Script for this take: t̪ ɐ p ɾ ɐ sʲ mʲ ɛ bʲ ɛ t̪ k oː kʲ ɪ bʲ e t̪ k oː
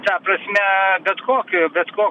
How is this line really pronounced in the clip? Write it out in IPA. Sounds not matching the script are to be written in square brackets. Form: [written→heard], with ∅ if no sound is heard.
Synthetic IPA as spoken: t̪ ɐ p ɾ ɐ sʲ mʲ ɛ bʲ ɛ t̪ k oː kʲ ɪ bʲ [e→ɛ] t̪ k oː